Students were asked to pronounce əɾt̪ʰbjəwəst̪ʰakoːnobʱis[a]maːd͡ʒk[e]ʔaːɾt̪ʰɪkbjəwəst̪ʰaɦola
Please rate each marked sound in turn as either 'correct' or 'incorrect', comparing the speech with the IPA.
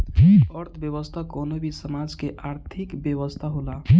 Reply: incorrect: ə, correct

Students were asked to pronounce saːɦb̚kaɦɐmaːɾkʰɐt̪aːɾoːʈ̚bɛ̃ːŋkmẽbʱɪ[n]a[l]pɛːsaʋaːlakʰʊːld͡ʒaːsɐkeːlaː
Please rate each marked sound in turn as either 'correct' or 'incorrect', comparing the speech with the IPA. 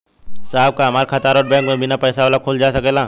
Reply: correct, incorrect: none

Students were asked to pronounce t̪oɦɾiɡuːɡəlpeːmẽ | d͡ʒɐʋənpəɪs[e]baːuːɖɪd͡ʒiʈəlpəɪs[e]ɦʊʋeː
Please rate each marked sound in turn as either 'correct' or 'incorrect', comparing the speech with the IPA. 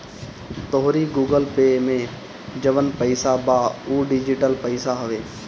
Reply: incorrect: a, incorrect: a

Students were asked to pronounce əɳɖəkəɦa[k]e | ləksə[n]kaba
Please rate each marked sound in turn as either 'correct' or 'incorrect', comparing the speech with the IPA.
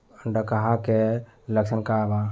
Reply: correct, correct

